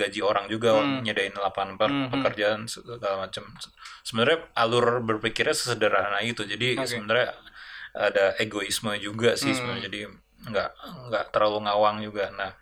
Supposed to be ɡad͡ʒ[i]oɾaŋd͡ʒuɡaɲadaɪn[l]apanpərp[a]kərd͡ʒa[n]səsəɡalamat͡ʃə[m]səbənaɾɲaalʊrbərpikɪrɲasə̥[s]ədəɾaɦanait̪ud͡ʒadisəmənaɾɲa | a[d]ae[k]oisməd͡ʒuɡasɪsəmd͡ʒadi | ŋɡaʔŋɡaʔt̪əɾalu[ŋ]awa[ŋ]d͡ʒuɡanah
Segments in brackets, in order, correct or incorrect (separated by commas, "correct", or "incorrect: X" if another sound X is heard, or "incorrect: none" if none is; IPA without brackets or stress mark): correct, correct, incorrect: ə, correct, correct, correct, correct, incorrect: ɡ, correct, correct